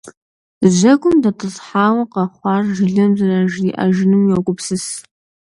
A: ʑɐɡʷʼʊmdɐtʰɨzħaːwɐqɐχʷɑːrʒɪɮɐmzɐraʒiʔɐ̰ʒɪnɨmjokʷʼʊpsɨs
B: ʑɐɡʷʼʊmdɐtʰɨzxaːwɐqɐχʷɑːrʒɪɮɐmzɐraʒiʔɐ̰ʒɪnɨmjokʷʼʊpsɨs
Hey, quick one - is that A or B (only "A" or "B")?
A